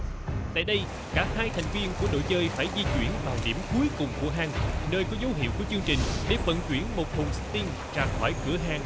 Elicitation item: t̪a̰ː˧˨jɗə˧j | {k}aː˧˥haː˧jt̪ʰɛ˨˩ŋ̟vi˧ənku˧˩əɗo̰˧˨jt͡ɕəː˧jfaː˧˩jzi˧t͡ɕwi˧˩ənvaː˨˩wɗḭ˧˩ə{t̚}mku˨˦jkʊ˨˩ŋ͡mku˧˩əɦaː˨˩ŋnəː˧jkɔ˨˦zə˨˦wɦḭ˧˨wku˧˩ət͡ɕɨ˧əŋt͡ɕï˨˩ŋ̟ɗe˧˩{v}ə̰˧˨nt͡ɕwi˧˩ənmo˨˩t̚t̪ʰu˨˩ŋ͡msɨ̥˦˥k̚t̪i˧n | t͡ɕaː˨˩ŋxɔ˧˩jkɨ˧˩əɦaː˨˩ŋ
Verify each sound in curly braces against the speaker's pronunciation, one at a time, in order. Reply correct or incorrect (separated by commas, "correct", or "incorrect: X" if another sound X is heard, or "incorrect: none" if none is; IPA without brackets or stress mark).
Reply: correct, incorrect: none, correct